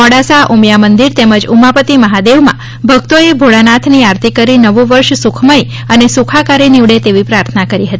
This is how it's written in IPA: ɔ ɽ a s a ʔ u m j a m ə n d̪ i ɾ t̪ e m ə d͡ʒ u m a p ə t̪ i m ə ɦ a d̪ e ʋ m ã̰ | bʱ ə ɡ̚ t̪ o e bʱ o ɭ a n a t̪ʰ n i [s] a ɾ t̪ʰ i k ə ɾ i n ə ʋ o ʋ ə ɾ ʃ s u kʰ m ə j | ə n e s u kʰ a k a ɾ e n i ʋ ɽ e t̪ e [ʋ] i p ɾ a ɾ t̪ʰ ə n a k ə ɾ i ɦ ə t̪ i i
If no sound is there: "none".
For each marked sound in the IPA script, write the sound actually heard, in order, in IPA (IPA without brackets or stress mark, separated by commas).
none, ʋ